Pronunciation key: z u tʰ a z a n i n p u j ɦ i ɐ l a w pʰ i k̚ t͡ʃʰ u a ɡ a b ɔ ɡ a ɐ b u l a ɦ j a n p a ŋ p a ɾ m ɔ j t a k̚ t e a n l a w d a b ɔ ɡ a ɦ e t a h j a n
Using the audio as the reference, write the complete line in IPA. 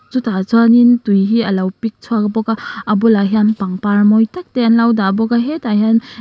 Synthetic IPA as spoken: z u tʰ a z a n i n t u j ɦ i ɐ l a w p i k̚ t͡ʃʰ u a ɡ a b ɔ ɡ a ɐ b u l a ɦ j a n p a ŋ p a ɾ m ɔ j t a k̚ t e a n l a w d a b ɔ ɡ a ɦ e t a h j a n